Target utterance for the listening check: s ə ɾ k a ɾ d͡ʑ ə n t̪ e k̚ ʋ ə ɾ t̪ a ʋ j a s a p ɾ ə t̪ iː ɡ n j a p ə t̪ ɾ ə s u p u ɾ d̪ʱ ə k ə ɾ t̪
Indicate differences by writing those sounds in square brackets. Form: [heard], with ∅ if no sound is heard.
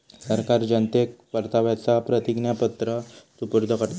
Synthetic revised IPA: s ə ɾ k a ɾ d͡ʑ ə n t̪ e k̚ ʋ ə ɾ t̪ a ʋ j a [t͡s] a p ɾ ə t̪ [i] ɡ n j a p ə t̪ ɾ ə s u p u ɾ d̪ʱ ə k ə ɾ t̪

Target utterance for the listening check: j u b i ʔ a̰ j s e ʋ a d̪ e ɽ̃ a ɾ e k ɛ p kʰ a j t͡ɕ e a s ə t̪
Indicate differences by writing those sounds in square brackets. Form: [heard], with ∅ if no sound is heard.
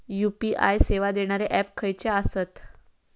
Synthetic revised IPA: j u [p] i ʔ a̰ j s e ʋ a d̪ e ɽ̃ a ɾ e [ʔ] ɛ p kʰ [ə] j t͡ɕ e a s ə t̪

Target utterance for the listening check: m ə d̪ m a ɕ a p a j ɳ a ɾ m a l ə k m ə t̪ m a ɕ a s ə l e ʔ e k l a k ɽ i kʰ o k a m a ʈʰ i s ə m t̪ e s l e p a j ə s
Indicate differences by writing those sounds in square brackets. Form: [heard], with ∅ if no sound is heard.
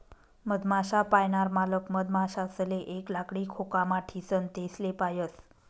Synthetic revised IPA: m ə d̪ m a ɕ a p a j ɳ a ɾ m a l ə k m ə [d̪] m a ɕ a s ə l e ʔ e k l a k ɽ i kʰ o k a m a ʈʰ i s ə [n] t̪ e s l e p a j ə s

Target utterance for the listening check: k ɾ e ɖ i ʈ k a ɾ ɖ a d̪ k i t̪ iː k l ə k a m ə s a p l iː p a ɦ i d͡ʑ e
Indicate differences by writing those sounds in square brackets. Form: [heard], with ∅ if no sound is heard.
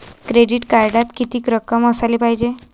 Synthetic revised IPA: k ɾ e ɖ i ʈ k a ɾ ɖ a [t̪] k i t̪ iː k [ɾ] ə k [ə] m ə s a [∅] l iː p a ɦ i d͡ʑ e

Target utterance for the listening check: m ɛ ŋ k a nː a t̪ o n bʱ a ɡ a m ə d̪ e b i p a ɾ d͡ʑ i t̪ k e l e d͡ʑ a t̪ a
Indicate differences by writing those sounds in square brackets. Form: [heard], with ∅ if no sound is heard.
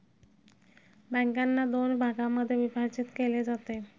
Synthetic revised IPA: [b] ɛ ŋ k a nː a [d̪] o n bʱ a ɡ a m [a] d̪ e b i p a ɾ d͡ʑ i t̪ k e l e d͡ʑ a t̪ [e]

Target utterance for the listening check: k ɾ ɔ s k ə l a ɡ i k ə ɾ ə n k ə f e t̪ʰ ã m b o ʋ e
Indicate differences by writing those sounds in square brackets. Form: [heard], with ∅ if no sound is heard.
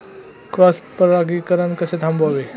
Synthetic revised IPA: k ɾ ɔ s [p] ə [ɾ] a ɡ i k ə ɾ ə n k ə [s] e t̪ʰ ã m b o ʋ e

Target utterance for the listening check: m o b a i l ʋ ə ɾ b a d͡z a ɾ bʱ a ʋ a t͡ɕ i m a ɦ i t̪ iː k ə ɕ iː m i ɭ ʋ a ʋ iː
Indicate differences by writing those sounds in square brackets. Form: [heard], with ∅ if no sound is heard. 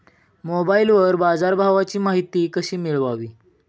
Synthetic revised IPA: m o b a i l ʋ ə ɾ b a d͡z a ɾ bʱ a ʋ a t͡ɕ [iː] m a ɦ i t̪ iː k ə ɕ iː m i ɭ ʋ a ʋ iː

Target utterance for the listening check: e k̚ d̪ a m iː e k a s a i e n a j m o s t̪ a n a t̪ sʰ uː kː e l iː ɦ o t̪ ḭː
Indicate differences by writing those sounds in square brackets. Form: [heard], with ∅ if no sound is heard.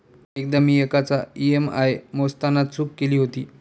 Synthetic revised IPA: e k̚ d̪ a m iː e k a [t͡s] a i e [m] a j m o s t̪ a n a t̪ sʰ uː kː e l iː ɦ o t̪ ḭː

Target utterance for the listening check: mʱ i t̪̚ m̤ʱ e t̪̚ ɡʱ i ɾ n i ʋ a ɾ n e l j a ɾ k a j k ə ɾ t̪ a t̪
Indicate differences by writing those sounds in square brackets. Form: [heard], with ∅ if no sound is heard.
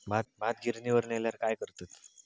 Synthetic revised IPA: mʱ [a] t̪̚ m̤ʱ [a] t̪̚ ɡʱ i ɾ n i ʋ [ə] ɾ n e l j a ɾ k a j k ə ɾ t̪ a t̪

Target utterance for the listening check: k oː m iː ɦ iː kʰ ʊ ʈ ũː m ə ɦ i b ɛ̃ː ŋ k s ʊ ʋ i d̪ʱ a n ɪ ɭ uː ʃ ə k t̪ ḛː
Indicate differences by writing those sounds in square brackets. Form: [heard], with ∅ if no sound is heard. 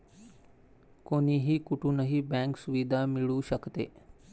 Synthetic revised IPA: k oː [n] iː ɦ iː [k] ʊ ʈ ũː [n] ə ɦ i b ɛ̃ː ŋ k s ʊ ʋ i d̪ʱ a [m] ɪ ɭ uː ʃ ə k t̪ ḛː

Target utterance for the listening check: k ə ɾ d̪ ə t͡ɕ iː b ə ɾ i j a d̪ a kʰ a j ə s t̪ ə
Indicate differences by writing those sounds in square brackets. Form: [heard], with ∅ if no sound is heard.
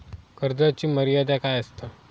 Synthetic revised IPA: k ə ɾ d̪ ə t͡ɕ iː [m] ə ɾ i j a d̪ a [k] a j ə s t̪ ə

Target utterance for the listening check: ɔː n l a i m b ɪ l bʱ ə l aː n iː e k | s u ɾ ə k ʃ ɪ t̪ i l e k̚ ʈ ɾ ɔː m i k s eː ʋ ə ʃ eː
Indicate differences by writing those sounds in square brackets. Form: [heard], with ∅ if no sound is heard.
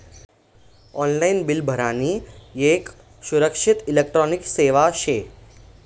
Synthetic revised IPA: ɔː n l a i [n] b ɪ l bʱ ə [ɾ] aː n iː e k | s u ɾ ə k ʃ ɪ t̪ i l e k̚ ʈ ɾ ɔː [n] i k s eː ʋ [a] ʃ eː

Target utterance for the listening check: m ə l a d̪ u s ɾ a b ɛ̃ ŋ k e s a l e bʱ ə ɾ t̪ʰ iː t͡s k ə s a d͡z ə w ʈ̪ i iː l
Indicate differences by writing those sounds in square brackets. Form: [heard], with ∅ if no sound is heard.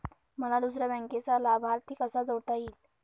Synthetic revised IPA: m ə l a d̪ u s ɾ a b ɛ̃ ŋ k e [t͡s] a l [a] bʱ [a] ɾ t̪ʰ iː [∅] k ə s a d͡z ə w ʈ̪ [a] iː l

